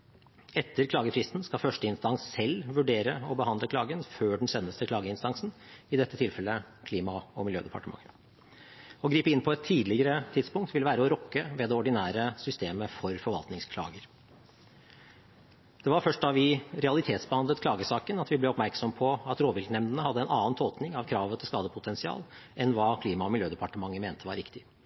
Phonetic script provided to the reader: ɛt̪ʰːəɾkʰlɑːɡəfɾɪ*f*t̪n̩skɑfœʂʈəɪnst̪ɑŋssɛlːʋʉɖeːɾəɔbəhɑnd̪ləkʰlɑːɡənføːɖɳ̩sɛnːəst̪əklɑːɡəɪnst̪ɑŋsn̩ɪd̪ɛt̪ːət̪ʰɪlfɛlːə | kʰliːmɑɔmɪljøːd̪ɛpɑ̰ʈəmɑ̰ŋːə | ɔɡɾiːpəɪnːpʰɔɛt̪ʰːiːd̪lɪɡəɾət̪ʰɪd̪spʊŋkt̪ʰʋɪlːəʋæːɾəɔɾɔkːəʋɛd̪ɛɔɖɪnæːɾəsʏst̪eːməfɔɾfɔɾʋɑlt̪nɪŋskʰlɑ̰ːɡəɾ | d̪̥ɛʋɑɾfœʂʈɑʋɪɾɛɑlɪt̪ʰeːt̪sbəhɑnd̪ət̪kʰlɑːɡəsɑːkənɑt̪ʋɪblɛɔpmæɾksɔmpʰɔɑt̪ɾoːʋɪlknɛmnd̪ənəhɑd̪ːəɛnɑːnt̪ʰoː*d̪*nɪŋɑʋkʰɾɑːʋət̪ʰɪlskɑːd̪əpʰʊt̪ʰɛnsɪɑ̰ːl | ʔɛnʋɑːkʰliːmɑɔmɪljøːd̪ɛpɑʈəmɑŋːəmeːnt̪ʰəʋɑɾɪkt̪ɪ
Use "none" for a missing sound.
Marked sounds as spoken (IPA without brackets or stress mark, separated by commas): s, t̪